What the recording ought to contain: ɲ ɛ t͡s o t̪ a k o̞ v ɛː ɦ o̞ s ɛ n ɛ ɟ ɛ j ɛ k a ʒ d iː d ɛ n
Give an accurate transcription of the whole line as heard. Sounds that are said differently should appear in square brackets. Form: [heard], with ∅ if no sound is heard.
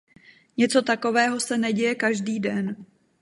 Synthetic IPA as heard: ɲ ɛ t͡s o t̪ a k o̞ v ɛː ɦ o̞ s ɛ n ɛ ɟ ɛ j ɛ k a ʒ d iː d ɛ n